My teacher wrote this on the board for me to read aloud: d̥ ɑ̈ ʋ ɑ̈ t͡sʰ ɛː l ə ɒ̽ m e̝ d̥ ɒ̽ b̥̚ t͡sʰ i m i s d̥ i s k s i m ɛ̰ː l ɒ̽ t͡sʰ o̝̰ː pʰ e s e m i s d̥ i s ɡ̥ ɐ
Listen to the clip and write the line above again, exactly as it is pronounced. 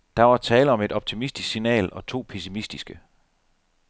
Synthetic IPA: d̥ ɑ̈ ʋ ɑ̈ t͡sʰ ɛː l ə ɒ̽ m e̝ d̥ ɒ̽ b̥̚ t͡sʰ i m i s d̥ i s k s i n ɛ̰ː l ɒ̽ t͡sʰ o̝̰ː pʰ e s i m i s d̥ i s ɡ̥ ə